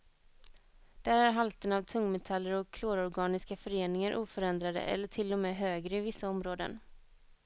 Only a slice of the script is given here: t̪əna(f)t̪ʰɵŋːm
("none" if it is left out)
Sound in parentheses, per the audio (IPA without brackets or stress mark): v